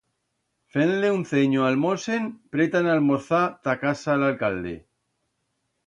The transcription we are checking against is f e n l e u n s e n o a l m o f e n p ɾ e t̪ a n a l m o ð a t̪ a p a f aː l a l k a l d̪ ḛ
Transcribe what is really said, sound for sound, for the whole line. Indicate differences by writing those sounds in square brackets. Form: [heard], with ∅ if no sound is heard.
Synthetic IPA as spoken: f e n l e u n [θ] e [ɲ] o a l m o [s] e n p ɾ e t̪ a n a l m o [θ] a t̪ a [k] a [s] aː l a l k a l d̪ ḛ